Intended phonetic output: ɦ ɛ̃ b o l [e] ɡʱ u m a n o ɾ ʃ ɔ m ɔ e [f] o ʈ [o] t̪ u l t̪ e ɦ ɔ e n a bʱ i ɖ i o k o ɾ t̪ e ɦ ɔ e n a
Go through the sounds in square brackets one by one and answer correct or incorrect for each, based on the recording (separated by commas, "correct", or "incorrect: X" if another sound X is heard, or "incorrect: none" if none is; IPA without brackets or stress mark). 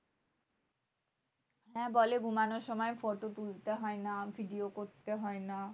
correct, correct, correct